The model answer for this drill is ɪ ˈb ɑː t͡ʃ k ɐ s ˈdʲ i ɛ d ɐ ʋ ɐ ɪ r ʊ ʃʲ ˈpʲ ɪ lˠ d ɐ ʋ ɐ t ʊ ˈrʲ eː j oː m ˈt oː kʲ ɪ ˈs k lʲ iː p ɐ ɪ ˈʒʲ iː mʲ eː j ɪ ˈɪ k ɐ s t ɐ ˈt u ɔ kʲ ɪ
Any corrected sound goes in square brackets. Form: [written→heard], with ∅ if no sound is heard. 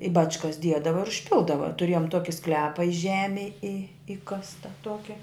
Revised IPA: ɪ ˈb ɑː t͡ʃ k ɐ s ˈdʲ i ɛ d ɐ ʋ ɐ ɪ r ʊ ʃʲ ˈpʲ ɪ lˠ d ɐ ʋ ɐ t ʊ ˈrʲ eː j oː m ˈt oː kʲ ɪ ˈs k lʲ [iː→æː] p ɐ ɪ ˈʒʲ [iː→æː] mʲ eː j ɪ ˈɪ k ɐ s t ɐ ˈt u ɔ kʲ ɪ